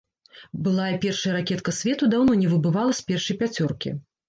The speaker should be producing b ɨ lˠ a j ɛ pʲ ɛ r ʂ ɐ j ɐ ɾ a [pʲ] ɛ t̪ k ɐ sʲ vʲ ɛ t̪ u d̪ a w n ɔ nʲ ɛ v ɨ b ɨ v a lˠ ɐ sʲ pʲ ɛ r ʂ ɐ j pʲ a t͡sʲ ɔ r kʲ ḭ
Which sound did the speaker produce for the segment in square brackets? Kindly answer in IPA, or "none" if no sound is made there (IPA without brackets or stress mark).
kʲ